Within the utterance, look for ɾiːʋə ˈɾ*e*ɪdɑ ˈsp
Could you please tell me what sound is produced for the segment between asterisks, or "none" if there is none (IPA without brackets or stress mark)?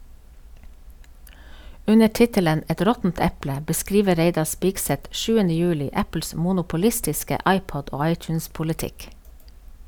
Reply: e